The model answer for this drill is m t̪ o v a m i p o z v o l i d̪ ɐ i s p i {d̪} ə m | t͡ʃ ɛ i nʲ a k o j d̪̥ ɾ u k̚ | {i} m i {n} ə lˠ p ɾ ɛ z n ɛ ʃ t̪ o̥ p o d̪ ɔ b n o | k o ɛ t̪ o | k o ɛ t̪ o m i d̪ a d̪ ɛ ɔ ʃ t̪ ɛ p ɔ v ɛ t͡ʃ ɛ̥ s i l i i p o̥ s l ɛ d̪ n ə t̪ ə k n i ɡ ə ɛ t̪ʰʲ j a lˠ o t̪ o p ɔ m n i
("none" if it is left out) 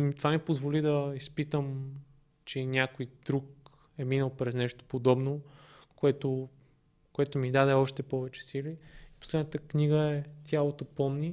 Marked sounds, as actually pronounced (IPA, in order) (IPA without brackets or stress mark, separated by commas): t̪, ɛ, n